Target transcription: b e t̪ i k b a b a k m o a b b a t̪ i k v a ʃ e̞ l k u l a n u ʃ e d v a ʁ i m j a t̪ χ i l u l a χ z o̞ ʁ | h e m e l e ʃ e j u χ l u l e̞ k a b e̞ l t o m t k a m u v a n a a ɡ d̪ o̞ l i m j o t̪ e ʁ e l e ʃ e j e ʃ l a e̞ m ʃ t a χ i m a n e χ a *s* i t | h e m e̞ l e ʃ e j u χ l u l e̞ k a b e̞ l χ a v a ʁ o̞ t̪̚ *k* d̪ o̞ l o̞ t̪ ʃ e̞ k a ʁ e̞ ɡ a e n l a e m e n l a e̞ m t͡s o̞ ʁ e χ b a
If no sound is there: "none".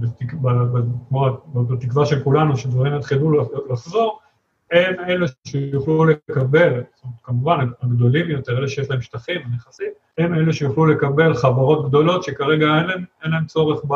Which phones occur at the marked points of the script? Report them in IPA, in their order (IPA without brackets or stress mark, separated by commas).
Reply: s, ɡ